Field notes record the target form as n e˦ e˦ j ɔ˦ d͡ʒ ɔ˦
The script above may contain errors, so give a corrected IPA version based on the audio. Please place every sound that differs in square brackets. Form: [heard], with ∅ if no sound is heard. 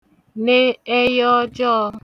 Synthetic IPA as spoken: n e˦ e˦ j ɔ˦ d͡ʒ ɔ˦